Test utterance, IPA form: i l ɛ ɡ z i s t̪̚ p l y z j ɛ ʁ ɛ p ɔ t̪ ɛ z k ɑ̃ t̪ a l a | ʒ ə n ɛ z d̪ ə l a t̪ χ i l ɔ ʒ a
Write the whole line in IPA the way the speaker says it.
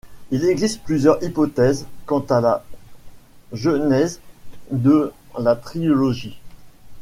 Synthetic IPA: i l ɛ ɡ z i s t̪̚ p l y z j œ ʁ i p ɔ t̪ ɛ z k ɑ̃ t̪ a l a | ʒ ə n ɛ z d̪ ə l a t̪ χ i l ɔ ʒ i